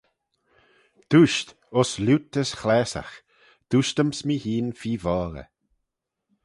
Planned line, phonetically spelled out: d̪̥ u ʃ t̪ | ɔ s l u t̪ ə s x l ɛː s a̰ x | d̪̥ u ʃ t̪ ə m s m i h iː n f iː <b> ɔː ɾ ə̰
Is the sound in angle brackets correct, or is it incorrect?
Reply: incorrect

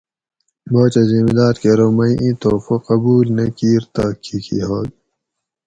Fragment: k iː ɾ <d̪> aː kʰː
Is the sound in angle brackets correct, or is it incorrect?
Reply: incorrect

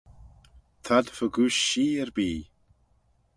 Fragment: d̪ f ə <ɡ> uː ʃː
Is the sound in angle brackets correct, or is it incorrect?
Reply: correct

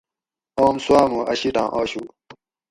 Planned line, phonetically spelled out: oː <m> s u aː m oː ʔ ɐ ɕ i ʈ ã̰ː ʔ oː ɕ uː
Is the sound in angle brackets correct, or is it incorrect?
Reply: correct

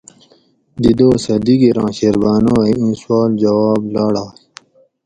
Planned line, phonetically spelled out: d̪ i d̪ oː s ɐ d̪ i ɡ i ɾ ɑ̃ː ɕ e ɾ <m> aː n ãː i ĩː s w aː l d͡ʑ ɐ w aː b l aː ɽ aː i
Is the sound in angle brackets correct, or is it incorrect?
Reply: incorrect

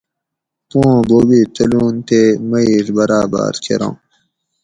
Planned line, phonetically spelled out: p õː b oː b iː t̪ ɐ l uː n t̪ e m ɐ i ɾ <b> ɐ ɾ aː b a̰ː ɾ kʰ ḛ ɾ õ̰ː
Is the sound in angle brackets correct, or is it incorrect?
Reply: correct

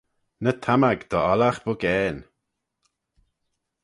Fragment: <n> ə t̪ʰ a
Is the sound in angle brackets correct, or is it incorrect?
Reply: correct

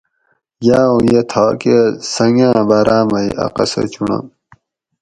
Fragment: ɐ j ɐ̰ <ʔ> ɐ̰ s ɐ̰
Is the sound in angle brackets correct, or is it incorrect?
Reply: incorrect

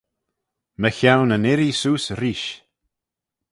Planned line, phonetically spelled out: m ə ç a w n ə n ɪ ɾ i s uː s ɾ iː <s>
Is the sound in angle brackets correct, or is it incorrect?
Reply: incorrect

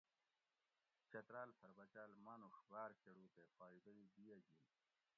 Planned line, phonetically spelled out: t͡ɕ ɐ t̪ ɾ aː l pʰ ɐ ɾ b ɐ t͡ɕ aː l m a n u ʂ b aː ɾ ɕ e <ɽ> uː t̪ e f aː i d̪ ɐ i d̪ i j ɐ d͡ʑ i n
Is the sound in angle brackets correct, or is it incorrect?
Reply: correct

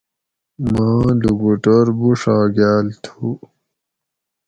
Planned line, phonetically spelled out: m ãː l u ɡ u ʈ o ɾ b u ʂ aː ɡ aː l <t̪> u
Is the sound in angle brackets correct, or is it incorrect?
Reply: incorrect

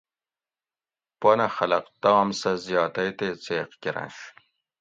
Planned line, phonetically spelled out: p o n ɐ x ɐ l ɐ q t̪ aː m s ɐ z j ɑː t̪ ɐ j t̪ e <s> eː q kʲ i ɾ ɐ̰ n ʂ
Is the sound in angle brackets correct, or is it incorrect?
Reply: incorrect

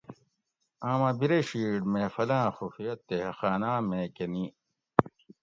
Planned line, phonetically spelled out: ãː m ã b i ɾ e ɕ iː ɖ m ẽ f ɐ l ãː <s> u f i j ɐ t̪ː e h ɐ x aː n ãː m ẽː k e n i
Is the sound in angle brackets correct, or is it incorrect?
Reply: incorrect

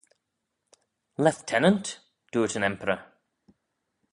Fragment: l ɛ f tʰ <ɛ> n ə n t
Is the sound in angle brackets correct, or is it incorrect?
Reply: correct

